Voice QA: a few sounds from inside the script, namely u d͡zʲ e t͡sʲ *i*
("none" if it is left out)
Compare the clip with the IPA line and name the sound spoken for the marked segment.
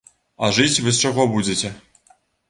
ɛ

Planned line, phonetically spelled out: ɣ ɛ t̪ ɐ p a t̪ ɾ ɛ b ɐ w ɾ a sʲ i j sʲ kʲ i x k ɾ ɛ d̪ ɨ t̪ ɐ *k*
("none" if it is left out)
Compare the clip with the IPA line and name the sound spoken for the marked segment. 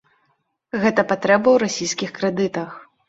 x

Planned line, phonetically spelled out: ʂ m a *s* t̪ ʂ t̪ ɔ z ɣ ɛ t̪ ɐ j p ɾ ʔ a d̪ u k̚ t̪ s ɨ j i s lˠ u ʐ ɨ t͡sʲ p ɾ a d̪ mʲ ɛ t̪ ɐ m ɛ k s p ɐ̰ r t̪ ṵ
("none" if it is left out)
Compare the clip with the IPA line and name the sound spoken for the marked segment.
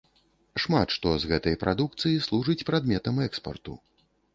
none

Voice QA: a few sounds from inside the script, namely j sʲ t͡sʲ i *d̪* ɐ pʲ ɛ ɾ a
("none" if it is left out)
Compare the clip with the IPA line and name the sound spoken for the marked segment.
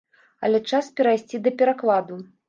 d̪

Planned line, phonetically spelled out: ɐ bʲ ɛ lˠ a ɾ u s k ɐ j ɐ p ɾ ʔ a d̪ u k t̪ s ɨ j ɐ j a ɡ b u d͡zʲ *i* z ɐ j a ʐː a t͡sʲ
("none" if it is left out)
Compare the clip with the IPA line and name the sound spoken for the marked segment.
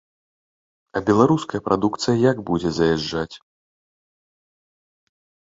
ɛ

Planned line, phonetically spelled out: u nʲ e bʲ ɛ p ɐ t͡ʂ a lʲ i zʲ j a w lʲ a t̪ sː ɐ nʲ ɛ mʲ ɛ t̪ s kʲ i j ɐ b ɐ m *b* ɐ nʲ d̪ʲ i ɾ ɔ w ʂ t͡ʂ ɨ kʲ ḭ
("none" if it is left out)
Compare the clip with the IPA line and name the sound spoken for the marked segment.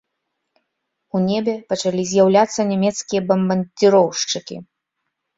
b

